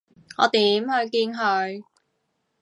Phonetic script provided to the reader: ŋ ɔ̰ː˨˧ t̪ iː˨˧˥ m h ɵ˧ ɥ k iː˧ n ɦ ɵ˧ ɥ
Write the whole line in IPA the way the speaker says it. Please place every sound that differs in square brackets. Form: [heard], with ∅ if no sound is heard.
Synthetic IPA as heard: ŋ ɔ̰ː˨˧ t̪ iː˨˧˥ m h ɵ˧ ɥ k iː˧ n ɦ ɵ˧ ɥ